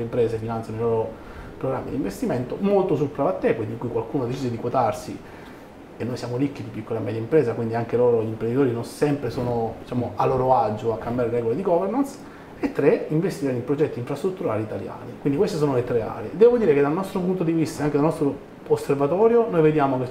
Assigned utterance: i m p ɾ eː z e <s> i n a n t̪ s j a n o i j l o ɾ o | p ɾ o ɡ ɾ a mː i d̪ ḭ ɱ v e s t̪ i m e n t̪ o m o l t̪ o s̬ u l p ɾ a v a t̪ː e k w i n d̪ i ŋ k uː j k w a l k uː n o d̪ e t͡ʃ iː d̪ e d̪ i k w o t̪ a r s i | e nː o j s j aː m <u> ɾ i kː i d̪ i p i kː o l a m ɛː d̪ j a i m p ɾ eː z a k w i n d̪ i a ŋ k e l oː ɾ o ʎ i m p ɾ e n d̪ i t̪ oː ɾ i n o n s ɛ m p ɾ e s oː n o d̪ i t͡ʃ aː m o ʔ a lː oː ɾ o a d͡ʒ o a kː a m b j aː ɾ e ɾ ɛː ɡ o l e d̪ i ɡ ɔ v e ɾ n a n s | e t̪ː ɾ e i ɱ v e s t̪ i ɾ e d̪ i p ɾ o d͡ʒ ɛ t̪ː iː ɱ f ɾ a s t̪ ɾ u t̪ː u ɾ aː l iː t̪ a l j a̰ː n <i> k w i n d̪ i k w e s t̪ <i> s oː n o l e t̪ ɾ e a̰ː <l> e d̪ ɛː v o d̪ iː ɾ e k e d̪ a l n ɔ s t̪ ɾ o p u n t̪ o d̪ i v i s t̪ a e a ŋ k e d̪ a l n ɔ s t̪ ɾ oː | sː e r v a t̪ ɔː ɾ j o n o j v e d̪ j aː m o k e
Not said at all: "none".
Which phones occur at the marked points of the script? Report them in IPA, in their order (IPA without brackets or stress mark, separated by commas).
f, o, i, e, ɾ